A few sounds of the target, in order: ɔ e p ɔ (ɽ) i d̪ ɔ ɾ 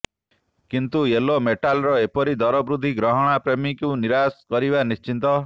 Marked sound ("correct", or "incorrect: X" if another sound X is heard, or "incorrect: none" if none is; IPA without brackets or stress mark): incorrect: ɾ